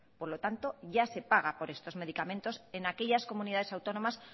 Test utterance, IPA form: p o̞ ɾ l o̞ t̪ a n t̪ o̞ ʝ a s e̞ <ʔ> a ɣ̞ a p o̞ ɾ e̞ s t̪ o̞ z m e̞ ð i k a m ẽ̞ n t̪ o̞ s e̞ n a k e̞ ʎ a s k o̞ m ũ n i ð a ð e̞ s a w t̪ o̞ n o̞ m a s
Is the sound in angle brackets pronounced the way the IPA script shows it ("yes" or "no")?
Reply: no